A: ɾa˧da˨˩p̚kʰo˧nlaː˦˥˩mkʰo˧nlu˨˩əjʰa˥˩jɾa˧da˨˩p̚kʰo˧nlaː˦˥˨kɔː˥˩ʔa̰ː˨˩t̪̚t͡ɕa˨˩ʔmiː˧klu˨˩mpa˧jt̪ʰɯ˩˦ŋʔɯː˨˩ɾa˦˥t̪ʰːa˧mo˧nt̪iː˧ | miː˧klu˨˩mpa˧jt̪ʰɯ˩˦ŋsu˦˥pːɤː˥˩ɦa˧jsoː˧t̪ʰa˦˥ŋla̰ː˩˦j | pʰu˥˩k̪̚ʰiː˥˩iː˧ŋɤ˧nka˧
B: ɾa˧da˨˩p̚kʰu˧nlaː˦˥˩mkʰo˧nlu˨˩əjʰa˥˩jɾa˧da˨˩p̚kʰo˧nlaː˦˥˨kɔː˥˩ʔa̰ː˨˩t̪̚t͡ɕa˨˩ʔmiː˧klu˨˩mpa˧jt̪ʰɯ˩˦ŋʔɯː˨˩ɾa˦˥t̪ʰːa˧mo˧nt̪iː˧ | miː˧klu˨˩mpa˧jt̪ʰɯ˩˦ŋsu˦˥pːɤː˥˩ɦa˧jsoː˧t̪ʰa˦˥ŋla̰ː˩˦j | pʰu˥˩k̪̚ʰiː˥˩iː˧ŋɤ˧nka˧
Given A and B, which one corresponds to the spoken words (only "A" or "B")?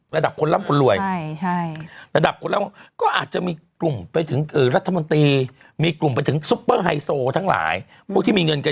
A